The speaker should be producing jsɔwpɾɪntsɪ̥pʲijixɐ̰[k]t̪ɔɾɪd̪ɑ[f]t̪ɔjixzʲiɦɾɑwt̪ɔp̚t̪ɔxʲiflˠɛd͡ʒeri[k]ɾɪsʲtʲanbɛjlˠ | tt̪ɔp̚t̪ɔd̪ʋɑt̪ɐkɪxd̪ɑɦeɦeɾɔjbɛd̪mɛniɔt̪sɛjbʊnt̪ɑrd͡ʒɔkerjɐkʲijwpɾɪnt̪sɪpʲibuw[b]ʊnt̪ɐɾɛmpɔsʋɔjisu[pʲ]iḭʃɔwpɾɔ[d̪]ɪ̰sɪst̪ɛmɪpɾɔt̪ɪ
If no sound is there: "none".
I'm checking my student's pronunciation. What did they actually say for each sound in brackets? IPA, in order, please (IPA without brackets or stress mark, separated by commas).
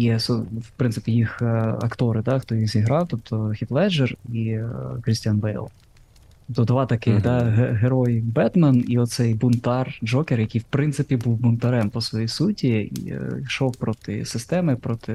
k, x, k, b, tʲ, t̪